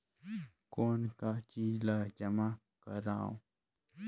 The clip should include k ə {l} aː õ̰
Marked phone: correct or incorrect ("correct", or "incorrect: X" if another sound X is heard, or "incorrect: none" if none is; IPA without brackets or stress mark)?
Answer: incorrect: ɾ